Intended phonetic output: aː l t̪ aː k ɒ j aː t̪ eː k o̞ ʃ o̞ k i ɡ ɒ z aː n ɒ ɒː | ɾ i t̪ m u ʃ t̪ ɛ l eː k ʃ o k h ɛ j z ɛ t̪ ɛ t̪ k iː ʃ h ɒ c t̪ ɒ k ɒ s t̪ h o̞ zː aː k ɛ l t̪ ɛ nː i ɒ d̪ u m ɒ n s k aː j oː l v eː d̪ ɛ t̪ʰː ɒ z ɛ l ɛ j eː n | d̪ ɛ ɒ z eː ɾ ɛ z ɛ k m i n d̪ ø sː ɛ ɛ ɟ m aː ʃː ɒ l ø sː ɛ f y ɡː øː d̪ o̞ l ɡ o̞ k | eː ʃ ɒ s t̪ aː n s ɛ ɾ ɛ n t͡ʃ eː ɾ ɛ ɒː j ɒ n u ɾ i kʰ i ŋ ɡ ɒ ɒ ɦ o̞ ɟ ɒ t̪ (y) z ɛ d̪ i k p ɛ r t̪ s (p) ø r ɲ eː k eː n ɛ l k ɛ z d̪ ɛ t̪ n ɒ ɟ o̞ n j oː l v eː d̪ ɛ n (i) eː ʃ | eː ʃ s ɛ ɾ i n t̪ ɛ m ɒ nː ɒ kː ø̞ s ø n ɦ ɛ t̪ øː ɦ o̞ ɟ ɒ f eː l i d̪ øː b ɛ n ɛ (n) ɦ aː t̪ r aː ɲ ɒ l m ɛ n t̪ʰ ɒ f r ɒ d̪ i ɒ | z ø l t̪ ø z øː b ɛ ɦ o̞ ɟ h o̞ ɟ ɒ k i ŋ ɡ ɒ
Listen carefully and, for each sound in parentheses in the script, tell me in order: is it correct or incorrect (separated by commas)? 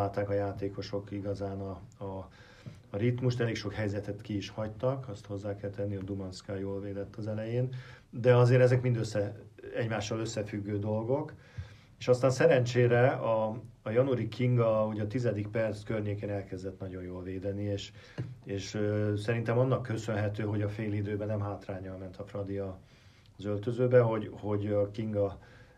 incorrect, incorrect, correct, incorrect